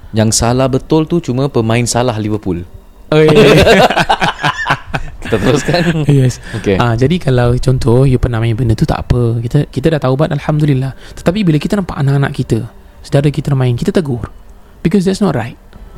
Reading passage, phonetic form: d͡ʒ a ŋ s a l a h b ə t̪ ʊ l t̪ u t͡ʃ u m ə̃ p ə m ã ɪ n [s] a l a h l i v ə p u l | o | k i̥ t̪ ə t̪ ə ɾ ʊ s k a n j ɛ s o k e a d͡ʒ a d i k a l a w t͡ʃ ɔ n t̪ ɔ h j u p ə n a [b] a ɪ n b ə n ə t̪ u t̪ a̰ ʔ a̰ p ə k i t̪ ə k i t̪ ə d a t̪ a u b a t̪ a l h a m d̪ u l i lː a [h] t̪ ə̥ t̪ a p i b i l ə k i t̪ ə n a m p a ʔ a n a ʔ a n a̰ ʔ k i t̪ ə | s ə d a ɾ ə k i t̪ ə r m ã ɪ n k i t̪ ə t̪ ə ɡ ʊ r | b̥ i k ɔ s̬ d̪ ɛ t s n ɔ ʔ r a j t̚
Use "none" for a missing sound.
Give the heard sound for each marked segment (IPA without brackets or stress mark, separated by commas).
s, m, h